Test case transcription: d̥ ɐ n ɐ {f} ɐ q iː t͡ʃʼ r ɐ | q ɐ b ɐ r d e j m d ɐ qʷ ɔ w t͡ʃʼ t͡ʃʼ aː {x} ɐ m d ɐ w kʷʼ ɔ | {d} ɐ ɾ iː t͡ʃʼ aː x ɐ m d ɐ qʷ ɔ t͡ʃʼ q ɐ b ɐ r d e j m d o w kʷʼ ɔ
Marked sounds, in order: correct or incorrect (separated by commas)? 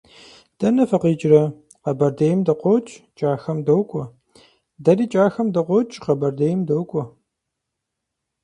correct, correct, correct